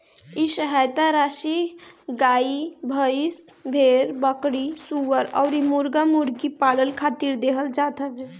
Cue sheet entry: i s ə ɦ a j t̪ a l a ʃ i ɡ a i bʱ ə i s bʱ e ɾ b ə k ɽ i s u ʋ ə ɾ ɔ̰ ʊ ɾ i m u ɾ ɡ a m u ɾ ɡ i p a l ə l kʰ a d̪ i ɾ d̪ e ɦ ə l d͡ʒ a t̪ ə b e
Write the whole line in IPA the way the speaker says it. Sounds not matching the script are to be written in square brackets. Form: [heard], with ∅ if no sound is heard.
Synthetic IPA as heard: i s ə ɦ a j t̪ a [ɾ] a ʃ i ɡ a i bʱ ə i s bʱ e ɾ b ə k ɽ i s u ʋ ə ɾ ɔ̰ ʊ ɾ i m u ɾ ɡ a m u ɾ ɡ i p a l ə l kʰ a [t̪] i ɾ d̪ e ɦ ə l d͡ʒ a t̪ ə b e